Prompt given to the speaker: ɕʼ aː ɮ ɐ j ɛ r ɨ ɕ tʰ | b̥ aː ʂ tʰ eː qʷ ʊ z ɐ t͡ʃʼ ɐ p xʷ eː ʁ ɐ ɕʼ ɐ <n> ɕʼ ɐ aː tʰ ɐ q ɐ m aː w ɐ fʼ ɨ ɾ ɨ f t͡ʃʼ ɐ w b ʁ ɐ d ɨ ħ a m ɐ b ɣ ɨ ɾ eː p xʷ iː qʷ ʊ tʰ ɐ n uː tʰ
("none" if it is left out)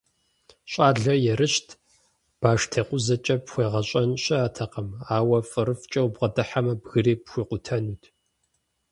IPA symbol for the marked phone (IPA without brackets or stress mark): n